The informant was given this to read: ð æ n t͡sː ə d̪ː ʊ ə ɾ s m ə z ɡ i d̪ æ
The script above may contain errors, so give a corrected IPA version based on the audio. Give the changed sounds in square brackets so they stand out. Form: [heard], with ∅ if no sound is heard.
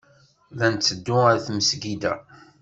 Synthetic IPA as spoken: ð æ n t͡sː ə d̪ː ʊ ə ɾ [θ] m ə [s] ɡ i d̪ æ